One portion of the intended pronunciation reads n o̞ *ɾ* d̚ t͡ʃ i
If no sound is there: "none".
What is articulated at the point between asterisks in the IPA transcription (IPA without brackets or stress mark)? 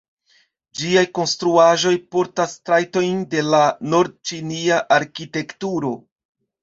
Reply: ɾ